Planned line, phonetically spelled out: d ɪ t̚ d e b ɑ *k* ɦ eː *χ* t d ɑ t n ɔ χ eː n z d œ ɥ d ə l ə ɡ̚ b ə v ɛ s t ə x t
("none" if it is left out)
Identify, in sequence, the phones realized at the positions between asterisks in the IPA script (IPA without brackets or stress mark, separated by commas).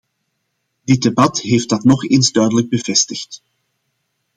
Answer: t, f